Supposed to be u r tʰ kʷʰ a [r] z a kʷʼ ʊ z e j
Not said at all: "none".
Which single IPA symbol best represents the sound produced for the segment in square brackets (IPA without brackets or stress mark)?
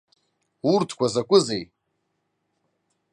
none